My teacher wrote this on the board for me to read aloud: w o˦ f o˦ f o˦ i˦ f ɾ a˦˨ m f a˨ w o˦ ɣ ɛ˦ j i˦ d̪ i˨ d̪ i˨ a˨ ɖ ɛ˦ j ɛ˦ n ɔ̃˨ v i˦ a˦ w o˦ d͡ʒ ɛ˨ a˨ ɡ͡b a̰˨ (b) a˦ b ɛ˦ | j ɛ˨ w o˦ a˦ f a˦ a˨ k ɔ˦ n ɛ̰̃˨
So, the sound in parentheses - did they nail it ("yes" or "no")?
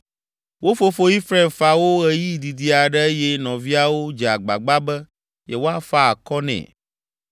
no